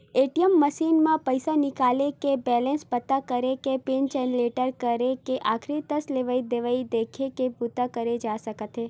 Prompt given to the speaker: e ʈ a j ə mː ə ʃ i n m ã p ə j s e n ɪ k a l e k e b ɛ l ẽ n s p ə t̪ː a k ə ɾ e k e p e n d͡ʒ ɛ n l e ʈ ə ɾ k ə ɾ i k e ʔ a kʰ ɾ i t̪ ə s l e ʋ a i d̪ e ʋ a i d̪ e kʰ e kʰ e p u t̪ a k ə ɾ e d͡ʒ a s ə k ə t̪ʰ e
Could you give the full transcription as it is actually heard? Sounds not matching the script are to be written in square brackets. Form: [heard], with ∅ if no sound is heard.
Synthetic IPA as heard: e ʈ [i] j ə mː ə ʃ i n m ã p ə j s [a] n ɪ k a l e k e b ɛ l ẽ n s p ə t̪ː a k ə ɾ e k e p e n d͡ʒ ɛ n l e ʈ ə ɾ k ə ɾ [e] k e ʔ a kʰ ɾ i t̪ ə s l e ʋ a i d̪ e ʋ a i d̪ e kʰ e [k] e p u t̪ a k ə ɾ e d͡ʒ a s ə k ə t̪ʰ e